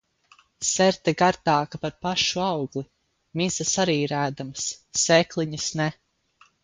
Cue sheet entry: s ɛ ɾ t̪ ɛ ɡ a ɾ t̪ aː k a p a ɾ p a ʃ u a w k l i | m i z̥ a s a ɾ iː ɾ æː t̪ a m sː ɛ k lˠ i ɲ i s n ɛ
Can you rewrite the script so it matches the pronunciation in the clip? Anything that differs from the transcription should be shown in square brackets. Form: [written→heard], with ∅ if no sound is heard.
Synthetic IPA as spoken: s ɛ ɾ t̪ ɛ ɡ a ɾ t̪ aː k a p a ɾ p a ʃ u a w [k→ɡ] l i | m i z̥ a s a ɾ iː ɾ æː [t̪→d̪] a m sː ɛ k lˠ i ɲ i s n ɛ

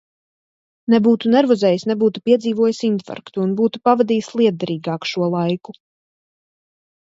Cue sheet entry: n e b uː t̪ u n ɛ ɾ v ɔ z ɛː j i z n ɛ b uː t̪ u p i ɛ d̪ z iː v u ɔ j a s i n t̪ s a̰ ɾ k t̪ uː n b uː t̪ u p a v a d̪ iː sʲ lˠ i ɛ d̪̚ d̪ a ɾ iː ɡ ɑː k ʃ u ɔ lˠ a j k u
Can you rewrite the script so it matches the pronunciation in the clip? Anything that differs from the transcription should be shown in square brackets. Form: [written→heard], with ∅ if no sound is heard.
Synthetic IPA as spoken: n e b uː t̪ u n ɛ ɾ v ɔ z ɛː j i [z→s] n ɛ b uː t̪ u p i ɛ d̪ z iː v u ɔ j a s i n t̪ [s→f] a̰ ɾ k t̪ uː n b uː t̪ u p a v a d̪ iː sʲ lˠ i ɛ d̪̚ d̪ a ɾ iː ɡ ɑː k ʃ u ɔ lˠ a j k u

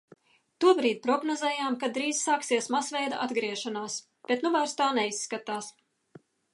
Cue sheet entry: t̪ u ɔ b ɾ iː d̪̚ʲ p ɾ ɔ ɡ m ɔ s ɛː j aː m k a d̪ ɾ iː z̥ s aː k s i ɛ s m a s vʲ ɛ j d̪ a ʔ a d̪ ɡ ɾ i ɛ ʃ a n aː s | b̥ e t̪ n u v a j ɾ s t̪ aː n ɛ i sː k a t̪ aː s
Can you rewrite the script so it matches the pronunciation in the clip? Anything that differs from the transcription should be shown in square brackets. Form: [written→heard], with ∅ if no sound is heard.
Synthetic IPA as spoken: t̪ u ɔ b ɾ iː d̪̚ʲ p ɾ ɔ ɡ [m→n] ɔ [s→z] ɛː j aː m k a d̪ ɾ iː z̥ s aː k s i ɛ s m a s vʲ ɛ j d̪ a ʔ a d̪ ɡ ɾ i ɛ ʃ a n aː s | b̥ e t̪ n u v a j ɾ s t̪ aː n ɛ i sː k a t̪ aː s

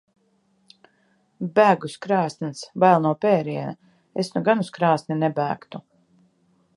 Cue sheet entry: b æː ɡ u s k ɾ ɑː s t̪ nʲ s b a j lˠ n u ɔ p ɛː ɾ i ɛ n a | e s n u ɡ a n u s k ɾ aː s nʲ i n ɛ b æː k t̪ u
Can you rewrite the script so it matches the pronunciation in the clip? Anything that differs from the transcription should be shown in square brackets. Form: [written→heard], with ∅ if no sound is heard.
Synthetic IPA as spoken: b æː ɡ u s k ɾ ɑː s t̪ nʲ s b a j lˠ n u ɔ p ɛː ɾ i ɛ n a | e s n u ɡ a n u s k ɾ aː s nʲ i n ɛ b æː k t̪ u

